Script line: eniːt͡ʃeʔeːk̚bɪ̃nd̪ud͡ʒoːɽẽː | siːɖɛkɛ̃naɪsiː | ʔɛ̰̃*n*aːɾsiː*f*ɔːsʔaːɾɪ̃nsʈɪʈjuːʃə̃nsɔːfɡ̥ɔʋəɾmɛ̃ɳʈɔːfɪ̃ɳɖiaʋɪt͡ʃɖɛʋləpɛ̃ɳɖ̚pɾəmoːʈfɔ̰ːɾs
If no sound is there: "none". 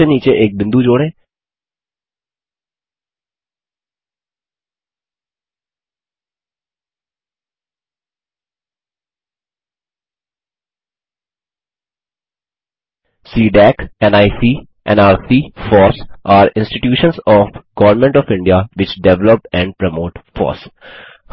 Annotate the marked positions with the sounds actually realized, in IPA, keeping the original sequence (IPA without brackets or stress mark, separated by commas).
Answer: n, f